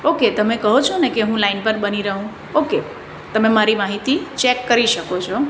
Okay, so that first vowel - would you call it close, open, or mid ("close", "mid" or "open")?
mid